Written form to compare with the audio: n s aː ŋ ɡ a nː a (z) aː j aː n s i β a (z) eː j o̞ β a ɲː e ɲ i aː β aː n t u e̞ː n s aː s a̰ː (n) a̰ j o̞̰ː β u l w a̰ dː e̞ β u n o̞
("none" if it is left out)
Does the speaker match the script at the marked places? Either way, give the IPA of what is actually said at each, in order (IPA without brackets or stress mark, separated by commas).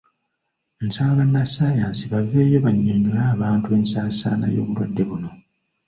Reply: s, v, n